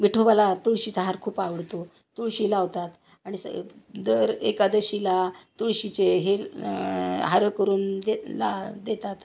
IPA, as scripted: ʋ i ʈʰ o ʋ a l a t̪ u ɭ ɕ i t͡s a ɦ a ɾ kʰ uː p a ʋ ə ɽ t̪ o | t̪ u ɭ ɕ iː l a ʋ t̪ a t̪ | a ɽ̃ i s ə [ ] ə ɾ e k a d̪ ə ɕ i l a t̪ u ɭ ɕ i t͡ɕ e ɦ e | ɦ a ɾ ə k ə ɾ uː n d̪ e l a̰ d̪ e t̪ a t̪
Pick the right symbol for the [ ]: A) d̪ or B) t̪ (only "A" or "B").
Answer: A